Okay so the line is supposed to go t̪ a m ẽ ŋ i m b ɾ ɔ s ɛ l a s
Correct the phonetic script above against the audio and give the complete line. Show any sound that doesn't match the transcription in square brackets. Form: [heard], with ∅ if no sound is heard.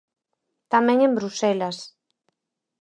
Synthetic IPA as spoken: t̪ a m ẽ ŋ [e] m b ɾ [u] s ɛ l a s

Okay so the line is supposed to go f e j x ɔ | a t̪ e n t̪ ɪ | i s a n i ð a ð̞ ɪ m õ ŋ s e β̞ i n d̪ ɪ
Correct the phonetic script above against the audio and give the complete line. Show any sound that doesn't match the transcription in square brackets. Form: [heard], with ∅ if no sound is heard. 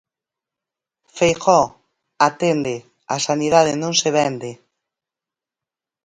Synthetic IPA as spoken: f e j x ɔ | a t̪ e n [d̪] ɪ | [a] s a n i ð a ð̞ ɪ [n] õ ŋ s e β̞ [ɛ] n d̪ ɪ

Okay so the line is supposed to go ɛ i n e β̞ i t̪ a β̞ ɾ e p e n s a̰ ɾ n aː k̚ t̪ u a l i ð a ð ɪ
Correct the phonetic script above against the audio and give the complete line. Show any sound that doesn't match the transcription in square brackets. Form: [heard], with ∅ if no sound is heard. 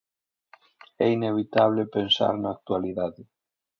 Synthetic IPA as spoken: ɛ i n e β̞ i t̪ a β̞ [l] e p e n s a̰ ɾ n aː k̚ t̪ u a l i ð a ð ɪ

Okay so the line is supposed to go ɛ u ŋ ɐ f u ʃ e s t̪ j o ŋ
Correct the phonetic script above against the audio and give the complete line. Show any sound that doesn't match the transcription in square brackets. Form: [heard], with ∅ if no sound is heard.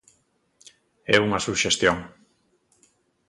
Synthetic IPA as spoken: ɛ u ŋ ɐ [s] u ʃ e s t̪ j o ŋ

